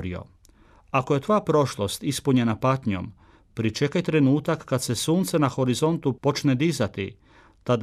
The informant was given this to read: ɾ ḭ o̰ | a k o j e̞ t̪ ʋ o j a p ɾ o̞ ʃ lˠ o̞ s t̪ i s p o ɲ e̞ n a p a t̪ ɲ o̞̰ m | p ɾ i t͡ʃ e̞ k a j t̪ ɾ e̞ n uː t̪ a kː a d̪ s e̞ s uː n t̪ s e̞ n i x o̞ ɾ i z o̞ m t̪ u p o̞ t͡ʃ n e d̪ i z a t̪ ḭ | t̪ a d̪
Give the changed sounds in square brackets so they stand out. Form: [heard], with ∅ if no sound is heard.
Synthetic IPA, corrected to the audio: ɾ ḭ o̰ | a k o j e̞ t̪ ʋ o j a p ɾ o̞ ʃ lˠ o̞ s t̪ i s p [u] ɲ e̞ n a p a t̪ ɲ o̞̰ m | p ɾ i t͡ʃ e̞ k a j t̪ ɾ e̞ n uː t̪ a kː a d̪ s e̞ s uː n t̪ s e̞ n [a] x o̞ ɾ i z o̞ [n] t̪ u p o̞ t͡ʃ n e d̪ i z a t̪ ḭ | t̪ a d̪